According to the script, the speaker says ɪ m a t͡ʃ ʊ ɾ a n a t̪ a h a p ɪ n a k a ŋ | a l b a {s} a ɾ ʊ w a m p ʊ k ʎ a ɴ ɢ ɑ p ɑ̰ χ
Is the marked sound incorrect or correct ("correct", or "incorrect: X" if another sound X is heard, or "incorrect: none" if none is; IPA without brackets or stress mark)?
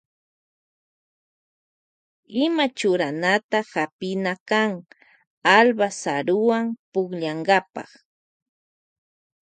correct